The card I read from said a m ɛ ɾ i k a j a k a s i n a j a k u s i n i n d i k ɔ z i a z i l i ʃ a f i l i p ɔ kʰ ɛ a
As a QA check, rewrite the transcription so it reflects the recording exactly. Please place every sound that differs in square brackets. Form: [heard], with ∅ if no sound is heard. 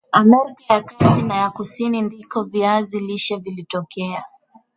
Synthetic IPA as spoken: a m ɛ ɾ i k a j a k a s i n a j a k u s i n i n d i k ɔ [v] i a z i l i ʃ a [v] i l i [t] ɔ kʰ ɛ a